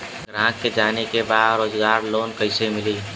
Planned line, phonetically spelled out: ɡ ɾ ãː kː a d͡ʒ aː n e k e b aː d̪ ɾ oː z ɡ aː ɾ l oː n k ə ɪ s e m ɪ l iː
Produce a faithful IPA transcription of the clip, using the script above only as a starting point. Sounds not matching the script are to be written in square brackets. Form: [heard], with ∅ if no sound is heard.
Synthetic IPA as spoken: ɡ ɾ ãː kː [e] d͡ʒ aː n e k e b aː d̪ ɾ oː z ɡ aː ɾ l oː n k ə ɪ s e m ɪ l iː